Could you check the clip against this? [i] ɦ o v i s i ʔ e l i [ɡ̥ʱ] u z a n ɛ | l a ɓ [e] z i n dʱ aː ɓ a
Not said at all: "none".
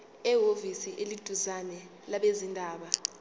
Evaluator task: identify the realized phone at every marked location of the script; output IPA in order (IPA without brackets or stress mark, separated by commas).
ɛ, d̥ʱ, e